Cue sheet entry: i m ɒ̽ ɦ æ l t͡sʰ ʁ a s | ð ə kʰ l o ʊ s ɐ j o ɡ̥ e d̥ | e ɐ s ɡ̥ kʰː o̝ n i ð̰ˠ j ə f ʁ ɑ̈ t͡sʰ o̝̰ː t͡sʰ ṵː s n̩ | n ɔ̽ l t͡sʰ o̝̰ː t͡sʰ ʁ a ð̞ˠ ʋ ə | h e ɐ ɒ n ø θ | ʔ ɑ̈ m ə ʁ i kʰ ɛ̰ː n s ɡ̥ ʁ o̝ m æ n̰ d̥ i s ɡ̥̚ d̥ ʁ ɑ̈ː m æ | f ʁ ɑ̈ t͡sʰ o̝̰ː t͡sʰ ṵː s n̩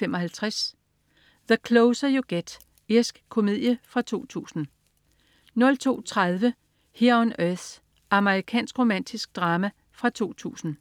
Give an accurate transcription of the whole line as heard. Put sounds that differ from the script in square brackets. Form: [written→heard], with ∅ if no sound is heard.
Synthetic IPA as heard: [i→e] m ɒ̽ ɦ æ l t͡sʰ ʁ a s | ð ə kʰ l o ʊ s ɐ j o ɡ̥ e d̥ | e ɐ s ɡ̥ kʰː o̝ [n→m] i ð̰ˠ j ə f ʁ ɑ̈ t͡sʰ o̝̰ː t͡sʰ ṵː s n̩ | n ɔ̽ l t͡sʰ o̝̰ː t͡sʰ ʁ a ð̞ˠ ʋ ə | h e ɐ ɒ n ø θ | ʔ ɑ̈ m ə ʁ i kʰ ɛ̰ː n s ɡ̥ ʁ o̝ m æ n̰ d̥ i s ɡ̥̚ d̥ ʁ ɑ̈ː m æ | f ʁ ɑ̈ t͡sʰ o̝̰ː t͡sʰ ṵː s n̩